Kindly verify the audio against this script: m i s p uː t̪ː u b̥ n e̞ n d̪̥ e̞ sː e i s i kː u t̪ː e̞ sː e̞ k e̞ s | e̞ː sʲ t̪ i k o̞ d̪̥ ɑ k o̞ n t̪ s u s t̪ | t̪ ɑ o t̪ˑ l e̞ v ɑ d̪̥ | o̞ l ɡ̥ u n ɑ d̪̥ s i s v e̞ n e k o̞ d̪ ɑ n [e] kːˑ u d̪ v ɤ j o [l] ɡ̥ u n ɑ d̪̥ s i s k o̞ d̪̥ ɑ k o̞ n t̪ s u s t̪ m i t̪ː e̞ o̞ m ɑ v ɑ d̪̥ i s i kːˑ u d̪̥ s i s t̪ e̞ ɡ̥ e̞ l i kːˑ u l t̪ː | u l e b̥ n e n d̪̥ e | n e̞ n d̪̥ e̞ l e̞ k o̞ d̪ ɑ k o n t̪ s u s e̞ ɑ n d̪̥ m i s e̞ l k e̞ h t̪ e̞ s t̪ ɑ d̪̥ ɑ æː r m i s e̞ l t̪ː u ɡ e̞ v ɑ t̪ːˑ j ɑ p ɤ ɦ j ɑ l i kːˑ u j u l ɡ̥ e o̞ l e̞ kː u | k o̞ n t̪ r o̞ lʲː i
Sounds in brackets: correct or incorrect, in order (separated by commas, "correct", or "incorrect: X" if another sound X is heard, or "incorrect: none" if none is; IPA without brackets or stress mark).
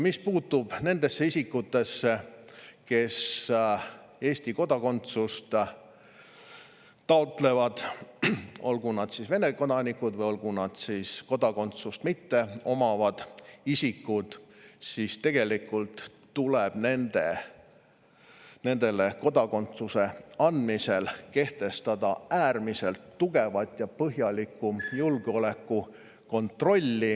incorrect: i, correct